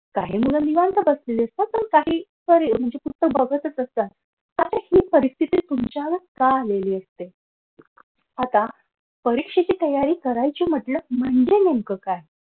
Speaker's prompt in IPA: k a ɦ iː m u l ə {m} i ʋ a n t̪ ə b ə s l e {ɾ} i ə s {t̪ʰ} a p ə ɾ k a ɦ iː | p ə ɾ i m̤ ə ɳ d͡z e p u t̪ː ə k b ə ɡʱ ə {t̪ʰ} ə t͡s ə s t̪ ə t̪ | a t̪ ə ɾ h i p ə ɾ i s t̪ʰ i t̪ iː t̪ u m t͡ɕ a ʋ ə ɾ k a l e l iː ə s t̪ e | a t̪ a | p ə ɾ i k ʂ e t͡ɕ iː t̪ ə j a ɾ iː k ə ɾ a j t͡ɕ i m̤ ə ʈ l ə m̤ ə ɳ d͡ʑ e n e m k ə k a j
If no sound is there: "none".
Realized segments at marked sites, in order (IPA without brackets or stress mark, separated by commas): n, l, t̪, t̪